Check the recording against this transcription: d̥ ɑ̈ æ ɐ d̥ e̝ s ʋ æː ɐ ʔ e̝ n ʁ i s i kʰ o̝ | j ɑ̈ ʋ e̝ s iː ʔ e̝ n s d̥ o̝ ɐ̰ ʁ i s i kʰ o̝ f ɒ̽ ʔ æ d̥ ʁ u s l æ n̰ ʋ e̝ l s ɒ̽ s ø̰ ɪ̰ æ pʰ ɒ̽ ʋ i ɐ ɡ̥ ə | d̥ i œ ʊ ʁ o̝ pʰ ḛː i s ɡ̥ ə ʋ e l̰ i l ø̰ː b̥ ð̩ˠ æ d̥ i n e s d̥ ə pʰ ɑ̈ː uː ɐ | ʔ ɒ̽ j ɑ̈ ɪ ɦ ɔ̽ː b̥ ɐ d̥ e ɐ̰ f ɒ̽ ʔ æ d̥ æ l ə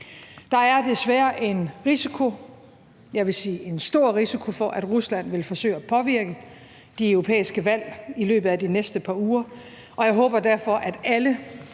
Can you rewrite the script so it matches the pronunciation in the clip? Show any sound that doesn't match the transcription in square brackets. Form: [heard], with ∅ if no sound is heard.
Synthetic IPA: d̥ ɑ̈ æ ɐ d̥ e̝ s ʋ æː ɐ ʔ e̝ n ʁ i s i kʰ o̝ | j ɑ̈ ʋ e̝ s iː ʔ e̝ n s d̥ o̝ ɐ̰ ʁ i s i kʰ o̝ f ɒ̽ ʔ æ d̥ ʁ u s l æ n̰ ʋ e̝ l [f] ɒ̽ s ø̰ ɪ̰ æ pʰ ɒ̽ ʋ i ɐ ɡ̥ ə | d̥ i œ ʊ ʁ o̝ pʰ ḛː i s ɡ̥ ə ʋ [æ] l̰ i l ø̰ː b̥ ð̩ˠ æ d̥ i n e s d̥ ə pʰ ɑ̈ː uː ɐ | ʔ ɒ̽ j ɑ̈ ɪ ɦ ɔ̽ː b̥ ɐ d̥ [æ] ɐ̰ f ɒ̽ ʔ æ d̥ æ l ə

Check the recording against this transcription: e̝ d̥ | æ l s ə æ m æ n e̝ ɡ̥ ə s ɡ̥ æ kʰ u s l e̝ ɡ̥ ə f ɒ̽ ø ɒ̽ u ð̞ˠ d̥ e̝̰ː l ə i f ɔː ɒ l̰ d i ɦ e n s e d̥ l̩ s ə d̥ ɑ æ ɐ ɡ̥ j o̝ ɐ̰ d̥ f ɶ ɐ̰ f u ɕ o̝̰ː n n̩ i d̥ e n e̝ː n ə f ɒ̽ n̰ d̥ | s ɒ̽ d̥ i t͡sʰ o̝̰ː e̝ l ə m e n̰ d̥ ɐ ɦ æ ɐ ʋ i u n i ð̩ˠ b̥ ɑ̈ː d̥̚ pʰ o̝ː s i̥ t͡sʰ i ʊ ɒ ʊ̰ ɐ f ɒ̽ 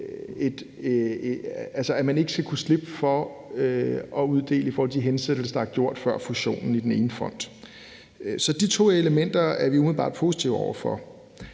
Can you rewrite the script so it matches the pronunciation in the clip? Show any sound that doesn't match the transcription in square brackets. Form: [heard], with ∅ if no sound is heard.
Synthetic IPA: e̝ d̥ | æ l s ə æ m æ n e̝ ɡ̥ ə s ɡ̥ æ kʰ u s l e̝ [b̥] ə f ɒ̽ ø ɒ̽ u ð̞ˠ d̥ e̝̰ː l ə i f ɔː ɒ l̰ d i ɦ e n s e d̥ l̩ s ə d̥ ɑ æ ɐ ɡ̥ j o̝ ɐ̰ d̥ f ɶ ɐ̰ f u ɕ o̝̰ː n n̩ i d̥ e n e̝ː n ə f ɒ̽ n̰ d̥ | s ɒ̽ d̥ i t͡sʰ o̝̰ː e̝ l ə m e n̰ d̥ ɐ [∅] æ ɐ ʋ i u [m] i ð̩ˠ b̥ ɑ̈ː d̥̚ pʰ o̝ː s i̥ t͡sʰ i ʊ ɒ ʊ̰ ɐ f ɒ̽

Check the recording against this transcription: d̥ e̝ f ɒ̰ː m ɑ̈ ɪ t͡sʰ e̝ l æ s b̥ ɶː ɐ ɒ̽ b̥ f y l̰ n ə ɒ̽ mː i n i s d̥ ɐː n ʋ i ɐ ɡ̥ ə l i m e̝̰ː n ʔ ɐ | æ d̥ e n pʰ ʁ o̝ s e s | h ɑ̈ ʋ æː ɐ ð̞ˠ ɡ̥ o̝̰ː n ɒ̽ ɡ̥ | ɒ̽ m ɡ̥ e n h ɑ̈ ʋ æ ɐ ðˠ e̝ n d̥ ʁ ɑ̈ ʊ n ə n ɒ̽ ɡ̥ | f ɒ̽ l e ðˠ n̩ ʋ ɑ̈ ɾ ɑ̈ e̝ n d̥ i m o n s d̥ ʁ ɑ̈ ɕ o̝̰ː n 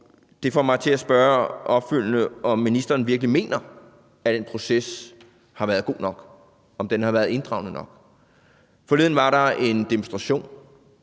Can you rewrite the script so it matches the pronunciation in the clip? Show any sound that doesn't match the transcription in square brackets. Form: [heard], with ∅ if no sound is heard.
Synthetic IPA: d̥ e̝ f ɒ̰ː m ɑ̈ ɪ t͡sʰ e̝ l æ s b̥ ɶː ɐ ɒ̽ b̥ f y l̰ n ə ɒ̽ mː i n i s d̥ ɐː n ʋ i ɐ ɡ̥ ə l i m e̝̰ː n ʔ ɐ | æ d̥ e n pʰ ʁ o̝ s e s | h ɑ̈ ʋ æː ɐ ð̞ˠ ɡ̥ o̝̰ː n ɒ̽ ɡ̥ | ɒ̽ m [d̥] e n h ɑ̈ ʋ æ ɐ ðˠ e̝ n d̥ ʁ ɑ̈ ʊ n ə n ɒ̽ ɡ̥ | f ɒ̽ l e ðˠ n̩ ʋ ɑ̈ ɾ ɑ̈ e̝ n d̥ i m o n s d̥ ʁ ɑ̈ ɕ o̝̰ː n

